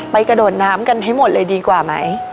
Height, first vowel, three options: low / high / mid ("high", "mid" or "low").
low